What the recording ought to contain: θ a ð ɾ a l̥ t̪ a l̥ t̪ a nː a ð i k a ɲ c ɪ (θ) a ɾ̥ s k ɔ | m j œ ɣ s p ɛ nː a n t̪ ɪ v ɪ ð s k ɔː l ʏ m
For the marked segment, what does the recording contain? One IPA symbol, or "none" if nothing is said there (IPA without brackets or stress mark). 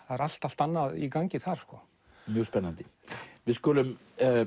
θ